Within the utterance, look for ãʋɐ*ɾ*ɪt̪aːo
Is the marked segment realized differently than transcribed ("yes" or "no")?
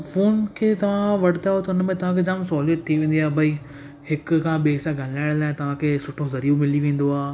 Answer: yes